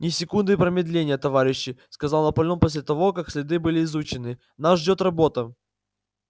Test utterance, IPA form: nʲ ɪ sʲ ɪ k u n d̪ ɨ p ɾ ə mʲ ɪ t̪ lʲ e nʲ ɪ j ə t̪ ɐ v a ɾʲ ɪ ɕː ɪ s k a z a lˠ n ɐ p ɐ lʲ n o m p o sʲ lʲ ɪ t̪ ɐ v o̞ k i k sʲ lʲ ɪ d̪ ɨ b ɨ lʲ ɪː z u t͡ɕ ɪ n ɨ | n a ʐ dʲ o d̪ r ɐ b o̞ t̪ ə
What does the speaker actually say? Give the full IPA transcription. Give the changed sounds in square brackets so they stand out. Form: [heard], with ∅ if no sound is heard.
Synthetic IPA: nʲ ɪ sʲ ɪ k u n d̪ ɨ p ɾ ə mʲ ɪ [d̪] lʲ e nʲ ɪ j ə t̪ ɐ v a ɾʲ ɪ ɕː ɪ s k [ɐ] z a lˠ n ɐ p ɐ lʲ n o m p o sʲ lʲ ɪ t̪ ɐ v o̞ k [a] k sʲ lʲ ɪ d̪ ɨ b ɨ lʲ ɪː z u t͡ɕ ɪ n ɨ | n a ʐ dʲ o [t̪] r ɐ b o̞ t̪ ə

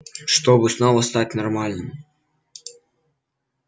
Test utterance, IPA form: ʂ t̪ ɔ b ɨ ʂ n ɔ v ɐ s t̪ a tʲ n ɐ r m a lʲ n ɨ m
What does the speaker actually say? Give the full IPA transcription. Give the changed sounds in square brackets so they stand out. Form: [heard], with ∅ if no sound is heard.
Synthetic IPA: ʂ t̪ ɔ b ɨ [s] n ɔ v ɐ s t̪ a tʲ n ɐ r m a lʲ n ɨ m

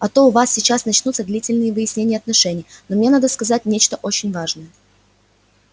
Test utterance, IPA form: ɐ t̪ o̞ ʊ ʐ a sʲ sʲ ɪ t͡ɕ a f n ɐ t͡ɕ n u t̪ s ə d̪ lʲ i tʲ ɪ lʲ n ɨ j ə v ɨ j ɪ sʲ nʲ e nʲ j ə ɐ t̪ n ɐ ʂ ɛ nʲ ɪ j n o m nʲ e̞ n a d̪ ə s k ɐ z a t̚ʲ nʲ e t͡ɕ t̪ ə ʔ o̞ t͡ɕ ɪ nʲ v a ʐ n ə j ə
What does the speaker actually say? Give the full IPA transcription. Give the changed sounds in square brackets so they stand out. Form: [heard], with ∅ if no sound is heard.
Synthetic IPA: ɐ t̪ o̞ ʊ [v] a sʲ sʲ ɪ t͡ɕ a [s] n ɐ t͡ɕ n u t̪ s ə d̪ lʲ i tʲ ɪ lʲ n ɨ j ə v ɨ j ɪ sʲ nʲ e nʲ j ə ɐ t̪ n ɐ ʂ ɛ nʲ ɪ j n o m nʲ e̞ n a d̪ ə s k ɐ z a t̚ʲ nʲ e t͡ɕ t̪ ə ʔ o̞ t͡ɕ ɪ nʲ v a ʐ n ə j ə

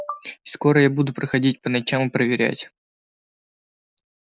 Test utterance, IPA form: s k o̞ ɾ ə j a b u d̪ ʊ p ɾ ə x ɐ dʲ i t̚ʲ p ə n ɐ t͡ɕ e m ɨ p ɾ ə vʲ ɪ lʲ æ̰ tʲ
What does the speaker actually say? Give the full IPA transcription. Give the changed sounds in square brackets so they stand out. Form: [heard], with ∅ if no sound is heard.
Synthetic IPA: s k o̞ ɾ ə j a b u d̪ ʊ p ɾ ə x ɐ dʲ i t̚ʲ p ə n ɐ t͡ɕ [a] m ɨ p ɾ ə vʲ ɪ [ɾʲ] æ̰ tʲ

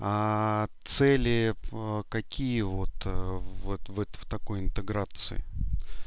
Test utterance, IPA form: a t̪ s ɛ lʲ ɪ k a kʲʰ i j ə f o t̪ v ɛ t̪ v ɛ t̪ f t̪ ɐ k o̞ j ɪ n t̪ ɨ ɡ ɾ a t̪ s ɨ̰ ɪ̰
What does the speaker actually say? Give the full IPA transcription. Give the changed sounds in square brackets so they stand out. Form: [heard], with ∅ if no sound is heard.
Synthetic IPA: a t̪ s ɛ lʲ ɪ k [ɐ] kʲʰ i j ə [v] o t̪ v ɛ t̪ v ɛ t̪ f t̪ ɐ k o̞ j ɪ n t̪ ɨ ɡ ɾ a t̪ s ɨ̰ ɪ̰

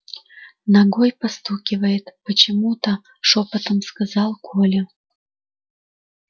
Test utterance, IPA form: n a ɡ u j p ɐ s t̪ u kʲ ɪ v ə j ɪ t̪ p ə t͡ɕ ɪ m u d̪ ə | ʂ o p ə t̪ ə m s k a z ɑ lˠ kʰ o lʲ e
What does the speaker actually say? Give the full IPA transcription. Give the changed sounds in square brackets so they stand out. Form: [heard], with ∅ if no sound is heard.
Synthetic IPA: n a ɡ [o] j p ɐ s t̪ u kʲ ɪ v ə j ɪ t̪ p ə t͡ɕ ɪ m u [t̪] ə | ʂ o p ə t̪ ə m s k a z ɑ lˠ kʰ o lʲ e

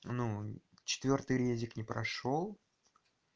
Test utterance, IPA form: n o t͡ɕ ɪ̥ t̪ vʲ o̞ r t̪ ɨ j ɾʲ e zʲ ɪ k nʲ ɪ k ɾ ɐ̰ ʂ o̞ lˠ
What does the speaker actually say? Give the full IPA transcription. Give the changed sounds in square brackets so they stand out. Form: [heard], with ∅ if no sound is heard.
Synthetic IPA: n [u] t͡ɕ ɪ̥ t̪ vʲ o̞ r t̪ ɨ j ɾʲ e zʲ ɪ k nʲ ɪ [p] ɾ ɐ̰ ʂ o̞ lˠ

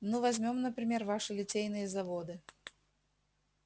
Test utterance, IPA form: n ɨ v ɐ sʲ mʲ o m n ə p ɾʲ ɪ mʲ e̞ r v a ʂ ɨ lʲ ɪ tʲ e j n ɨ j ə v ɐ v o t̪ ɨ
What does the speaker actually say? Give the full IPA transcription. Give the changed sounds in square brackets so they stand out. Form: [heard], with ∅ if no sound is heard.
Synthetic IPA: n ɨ v ɐ [zʲ] mʲ o m n ə p ɾʲ ɪ mʲ e̞ r v a ʂ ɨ lʲ ɪ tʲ e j n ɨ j ə [z] ɐ v o [d̪] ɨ

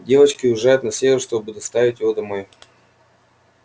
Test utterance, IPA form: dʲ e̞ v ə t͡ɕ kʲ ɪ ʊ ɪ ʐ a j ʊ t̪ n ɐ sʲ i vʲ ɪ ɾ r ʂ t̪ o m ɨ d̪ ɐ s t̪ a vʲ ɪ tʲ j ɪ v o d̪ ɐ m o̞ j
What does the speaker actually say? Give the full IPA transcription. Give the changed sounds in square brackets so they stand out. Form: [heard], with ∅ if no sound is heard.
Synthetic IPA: dʲ e̞ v ə t͡ɕ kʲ ɪ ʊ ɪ ʐ a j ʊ t̪ n ɐ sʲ [e] vʲ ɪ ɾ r ʂ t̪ o [b] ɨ d̪ ɐ s t̪ a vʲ ɪ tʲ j ɪ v o d̪ ɐ m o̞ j

